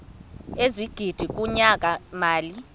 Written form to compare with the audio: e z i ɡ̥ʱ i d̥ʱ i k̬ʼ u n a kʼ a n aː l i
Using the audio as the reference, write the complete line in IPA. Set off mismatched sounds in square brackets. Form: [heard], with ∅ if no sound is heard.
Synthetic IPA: e z i ɡ̥ʱ i d̥ʱ i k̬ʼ u [ɲ] a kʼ a [m] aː l i